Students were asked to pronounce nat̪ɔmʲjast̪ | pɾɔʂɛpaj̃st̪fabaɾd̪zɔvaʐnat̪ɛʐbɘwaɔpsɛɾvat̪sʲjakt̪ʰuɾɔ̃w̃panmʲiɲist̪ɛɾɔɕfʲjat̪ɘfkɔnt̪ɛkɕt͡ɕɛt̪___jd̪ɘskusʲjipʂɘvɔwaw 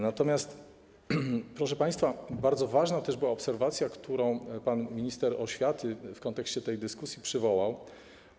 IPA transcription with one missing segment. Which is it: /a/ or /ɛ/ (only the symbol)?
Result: ɛ